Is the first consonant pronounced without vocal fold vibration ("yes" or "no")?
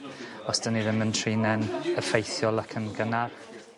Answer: yes